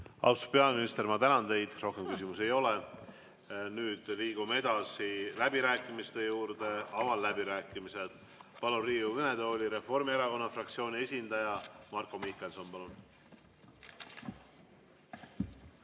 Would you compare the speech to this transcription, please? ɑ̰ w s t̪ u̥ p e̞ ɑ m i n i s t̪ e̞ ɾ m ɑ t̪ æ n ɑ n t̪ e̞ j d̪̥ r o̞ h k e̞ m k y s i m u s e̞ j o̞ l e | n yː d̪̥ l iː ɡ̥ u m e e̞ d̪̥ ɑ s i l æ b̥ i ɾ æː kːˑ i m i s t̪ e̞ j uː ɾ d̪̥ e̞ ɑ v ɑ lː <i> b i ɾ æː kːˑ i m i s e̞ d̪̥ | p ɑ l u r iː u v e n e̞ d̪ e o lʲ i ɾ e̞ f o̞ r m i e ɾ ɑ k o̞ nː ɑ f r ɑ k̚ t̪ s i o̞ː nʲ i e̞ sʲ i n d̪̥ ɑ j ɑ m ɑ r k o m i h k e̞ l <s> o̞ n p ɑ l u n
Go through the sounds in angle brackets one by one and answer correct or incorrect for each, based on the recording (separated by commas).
incorrect, correct